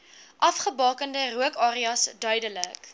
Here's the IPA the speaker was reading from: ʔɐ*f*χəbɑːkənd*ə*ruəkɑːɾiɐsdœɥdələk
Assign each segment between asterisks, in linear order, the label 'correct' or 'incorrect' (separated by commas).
correct, correct